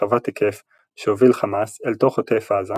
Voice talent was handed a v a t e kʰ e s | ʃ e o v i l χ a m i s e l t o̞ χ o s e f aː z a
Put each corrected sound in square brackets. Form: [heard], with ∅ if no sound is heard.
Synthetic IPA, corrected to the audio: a v a t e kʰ e [f] | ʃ e o v i l χ a m [a] s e l t o̞ χ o [t] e f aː z a